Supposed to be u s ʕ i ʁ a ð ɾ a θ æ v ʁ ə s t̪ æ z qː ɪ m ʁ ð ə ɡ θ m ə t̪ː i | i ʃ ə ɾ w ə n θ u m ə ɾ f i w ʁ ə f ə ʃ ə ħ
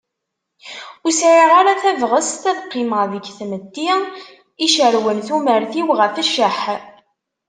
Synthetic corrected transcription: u s ʕ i ʁ a ɾ a θ æ v ʁ ə s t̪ æ ð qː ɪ m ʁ ð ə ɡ θ m ə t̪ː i | i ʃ ə ɾ w ə n θ u m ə ɾ θ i w ʁ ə f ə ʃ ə ħ